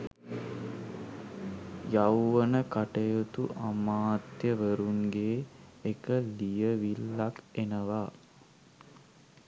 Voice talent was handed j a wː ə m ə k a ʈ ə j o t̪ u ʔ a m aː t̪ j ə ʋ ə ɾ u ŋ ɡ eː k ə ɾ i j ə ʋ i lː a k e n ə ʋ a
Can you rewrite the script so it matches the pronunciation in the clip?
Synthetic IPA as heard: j a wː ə n ə k a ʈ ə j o t̪ u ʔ a m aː t̪ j ə ʋ ə ɾ u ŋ ɡ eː k ə l i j ə ʋ i lː a k e n ə ʋ a